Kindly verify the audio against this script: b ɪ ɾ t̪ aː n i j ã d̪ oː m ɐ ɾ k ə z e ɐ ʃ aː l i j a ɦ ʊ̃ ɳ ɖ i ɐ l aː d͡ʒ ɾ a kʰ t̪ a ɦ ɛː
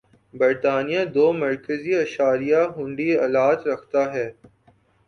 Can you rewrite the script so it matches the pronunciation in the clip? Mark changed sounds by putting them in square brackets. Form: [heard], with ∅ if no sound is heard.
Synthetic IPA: b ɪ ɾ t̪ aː n i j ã d̪ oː m ɐ ɾ k ə z [i] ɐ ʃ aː [ɾ] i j a ɦ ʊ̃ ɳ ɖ i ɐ l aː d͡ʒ ɾ [ɐ] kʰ t̪ a ɦ ɛː